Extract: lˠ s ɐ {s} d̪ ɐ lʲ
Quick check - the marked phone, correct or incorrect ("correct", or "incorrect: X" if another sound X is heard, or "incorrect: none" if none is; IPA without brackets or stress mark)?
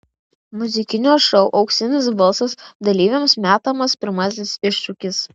correct